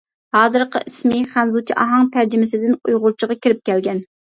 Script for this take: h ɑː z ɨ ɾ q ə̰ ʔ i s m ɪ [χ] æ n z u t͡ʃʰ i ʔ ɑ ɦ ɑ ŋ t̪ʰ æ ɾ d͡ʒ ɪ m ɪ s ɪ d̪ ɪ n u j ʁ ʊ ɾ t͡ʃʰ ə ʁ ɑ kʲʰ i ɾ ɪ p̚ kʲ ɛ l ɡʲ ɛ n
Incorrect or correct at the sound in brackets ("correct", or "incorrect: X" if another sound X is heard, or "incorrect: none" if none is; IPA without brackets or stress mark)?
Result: correct